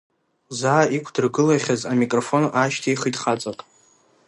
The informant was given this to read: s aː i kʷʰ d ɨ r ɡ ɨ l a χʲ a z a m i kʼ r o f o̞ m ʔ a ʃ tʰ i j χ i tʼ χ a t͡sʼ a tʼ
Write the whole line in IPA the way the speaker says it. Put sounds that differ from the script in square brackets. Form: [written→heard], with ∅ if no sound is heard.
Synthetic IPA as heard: [s→z] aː i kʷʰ d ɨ r ɡ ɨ l a χʲ a z a m i kʼ r o f o̞ [m→n] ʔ a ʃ tʰ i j χ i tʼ χ a t͡sʼ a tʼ